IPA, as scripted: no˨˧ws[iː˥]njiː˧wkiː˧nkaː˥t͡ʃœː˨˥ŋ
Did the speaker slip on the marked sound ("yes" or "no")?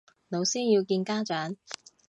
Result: no